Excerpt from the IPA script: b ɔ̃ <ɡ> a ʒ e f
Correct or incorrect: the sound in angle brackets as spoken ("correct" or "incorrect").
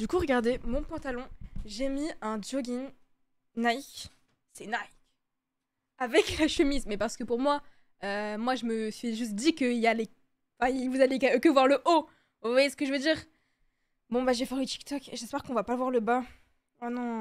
incorrect